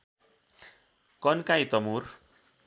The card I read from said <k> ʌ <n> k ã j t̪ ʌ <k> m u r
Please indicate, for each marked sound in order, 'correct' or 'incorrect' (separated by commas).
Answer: correct, correct, incorrect